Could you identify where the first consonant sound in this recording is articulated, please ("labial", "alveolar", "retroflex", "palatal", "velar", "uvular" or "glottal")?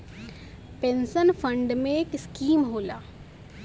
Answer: labial